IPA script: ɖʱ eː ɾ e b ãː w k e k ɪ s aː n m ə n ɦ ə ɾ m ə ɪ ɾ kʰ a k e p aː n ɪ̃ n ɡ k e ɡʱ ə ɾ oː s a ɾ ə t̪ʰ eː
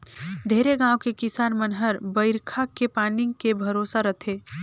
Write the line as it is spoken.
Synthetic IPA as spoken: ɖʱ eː ɾ e ɡ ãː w k e k ɪ s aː n m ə n ɦ ə ɾ b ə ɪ ɾ kʰ a k e p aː n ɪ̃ ŋ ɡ k e bʱ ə ɾ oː s a ɾ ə t̪ʰ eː